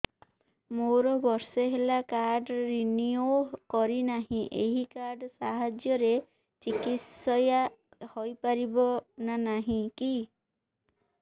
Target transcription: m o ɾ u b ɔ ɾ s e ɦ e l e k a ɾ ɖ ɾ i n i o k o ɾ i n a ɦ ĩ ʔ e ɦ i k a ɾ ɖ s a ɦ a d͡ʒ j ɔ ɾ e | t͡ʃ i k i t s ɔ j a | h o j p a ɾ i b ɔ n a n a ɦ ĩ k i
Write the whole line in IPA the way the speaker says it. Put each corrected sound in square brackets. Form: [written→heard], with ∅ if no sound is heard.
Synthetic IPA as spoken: m o ɾ [u→ɔ] b ɔ ɾ s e ɦ e l [e→a] k a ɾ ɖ ɾ i n i o k [o→ɔ] ɾ i n a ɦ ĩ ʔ e ɦ i k a ɾ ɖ s a ɦ a d͡ʒ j ɔ ɾ e | t͡ʃ i k i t s ɔ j a | h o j p a ɾ i b ɔ n a n a ɦ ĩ k i